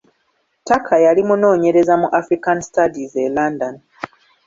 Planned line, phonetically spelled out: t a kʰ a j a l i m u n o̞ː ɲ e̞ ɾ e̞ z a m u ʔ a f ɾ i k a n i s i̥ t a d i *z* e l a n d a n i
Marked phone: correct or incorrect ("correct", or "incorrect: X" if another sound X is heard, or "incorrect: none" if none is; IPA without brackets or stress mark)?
correct